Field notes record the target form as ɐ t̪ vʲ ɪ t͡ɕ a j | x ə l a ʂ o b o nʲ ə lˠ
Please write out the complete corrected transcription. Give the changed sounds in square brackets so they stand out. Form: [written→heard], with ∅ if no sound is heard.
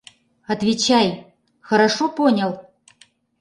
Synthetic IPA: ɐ t̪ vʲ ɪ t͡ɕ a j | x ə [l→ɾ] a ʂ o [b→p] o nʲ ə lˠ

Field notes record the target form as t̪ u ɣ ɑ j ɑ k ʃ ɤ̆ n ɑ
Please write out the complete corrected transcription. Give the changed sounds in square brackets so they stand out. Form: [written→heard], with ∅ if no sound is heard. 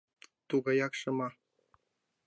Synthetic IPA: t̪ u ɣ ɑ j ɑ k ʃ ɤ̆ [n→m] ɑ

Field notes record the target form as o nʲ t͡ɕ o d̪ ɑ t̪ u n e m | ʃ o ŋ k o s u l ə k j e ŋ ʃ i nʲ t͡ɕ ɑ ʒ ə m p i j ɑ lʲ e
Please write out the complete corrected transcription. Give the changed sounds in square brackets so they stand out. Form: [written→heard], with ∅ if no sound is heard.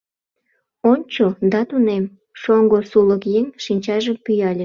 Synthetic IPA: o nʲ t͡ɕ o d̪ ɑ t̪ u n e m | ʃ o ŋ [k→ɡ] o s u l ə k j e ŋ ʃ i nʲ t͡ɕ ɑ ʒ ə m p [i→y] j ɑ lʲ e

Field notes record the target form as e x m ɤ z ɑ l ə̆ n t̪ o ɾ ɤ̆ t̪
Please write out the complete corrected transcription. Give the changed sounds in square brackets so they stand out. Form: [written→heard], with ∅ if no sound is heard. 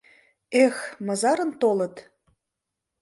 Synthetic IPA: e x m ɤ z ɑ [l→ɾ] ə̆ n t̪ o [ɾ→l] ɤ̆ t̪

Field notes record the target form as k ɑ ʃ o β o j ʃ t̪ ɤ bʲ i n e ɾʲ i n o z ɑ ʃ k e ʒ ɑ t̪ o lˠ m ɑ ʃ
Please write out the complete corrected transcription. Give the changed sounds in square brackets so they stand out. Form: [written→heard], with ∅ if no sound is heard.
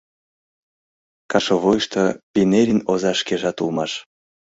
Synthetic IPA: k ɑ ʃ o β o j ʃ t̪ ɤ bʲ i n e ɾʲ i n o z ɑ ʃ k e ʒ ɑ t̪ [o→u] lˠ m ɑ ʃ

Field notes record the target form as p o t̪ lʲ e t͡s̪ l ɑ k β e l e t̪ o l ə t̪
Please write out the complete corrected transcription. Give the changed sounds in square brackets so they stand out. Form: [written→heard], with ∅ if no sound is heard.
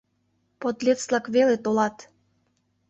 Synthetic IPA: p o t̪ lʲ e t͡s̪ l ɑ k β e l e t̪ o l [ə→ɑ] t̪

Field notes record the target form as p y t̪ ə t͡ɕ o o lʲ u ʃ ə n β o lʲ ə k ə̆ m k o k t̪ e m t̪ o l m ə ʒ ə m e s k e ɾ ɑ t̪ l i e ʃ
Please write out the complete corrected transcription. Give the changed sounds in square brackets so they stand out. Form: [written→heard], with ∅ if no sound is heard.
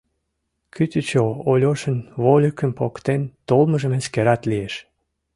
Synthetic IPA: [p→k] y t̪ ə t͡ɕ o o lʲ [u→o] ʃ ə n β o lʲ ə k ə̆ m [k→p] o k t̪ e [m→n] t̪ o l m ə ʒ ə m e s k e ɾ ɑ t̪ l i e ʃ

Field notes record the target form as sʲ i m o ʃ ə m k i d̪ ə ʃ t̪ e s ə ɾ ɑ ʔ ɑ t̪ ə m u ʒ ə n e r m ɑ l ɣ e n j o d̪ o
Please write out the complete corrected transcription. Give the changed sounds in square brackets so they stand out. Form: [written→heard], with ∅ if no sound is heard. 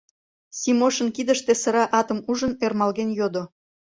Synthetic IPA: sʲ i m o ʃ ə [m→n] k i d̪ ə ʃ t̪ e s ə ɾ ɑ ʔ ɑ t̪ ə m u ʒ ə n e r m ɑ l ɣ e n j o d̪ o

